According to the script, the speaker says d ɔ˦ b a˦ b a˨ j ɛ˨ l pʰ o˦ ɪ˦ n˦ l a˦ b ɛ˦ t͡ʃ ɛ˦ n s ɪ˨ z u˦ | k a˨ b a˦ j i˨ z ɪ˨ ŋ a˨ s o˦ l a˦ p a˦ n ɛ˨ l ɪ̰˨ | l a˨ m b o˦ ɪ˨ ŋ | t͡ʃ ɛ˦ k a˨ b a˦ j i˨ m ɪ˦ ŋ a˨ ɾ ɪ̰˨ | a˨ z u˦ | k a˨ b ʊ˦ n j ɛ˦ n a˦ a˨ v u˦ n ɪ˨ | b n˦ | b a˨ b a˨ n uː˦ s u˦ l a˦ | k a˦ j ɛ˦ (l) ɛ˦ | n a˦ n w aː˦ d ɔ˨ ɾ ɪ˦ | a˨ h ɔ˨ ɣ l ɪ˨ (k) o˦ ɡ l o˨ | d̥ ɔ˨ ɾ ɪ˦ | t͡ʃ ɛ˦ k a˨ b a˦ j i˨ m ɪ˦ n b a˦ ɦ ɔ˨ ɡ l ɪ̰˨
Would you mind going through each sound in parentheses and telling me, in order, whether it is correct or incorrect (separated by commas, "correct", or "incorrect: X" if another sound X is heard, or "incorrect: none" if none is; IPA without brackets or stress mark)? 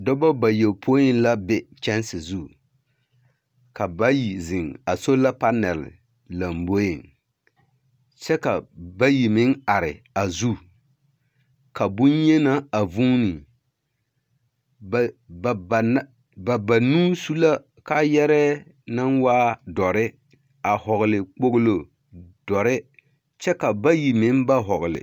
incorrect: ɾ, incorrect: k͡p